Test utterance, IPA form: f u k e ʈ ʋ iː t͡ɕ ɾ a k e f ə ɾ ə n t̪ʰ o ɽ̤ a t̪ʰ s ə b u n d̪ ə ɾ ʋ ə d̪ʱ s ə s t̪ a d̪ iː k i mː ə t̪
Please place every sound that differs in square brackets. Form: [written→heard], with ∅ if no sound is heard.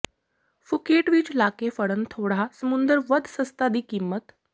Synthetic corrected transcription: f u k e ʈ ʋ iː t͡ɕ [ɾ→l] a k e f ə [ɾ→ɽ] ə n t̪ʰ o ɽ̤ a [t̪ʰ→∅] s ə [b→m] u n d̪ ə ɾ ʋ ə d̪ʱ s ə s t̪ a d̪ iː k i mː ə t̪